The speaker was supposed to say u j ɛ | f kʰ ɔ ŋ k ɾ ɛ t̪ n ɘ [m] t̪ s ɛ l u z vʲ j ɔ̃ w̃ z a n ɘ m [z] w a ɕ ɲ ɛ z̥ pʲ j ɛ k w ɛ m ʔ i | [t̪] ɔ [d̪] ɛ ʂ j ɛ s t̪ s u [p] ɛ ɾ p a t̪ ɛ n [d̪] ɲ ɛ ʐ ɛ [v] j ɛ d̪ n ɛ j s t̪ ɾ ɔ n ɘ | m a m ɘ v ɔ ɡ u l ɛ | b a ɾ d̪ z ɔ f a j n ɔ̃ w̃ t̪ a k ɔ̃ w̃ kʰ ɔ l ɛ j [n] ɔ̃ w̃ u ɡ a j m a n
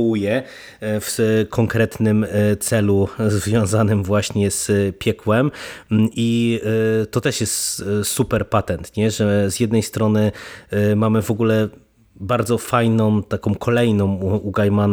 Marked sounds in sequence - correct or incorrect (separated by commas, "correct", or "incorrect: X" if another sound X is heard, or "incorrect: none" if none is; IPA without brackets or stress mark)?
correct, incorrect: v, correct, incorrect: t̪, correct, incorrect: t̪, incorrect: z, correct